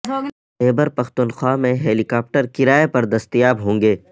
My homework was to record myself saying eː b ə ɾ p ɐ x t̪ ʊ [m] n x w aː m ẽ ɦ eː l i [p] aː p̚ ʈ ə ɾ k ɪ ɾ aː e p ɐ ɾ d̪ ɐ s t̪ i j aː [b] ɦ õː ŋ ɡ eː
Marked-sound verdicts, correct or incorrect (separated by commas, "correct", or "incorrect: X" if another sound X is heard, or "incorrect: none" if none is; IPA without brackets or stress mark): incorrect: none, incorrect: k, correct